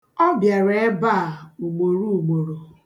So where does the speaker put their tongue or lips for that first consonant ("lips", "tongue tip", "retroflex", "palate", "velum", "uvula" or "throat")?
lips